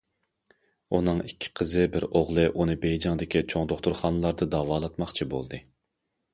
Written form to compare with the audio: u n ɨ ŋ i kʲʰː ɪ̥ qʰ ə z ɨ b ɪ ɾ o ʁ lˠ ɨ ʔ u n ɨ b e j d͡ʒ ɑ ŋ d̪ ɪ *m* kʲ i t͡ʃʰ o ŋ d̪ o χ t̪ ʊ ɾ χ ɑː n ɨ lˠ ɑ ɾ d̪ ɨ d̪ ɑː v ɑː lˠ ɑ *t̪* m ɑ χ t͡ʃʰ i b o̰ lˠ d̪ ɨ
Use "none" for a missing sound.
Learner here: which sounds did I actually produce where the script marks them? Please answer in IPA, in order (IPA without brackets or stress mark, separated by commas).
none, t̪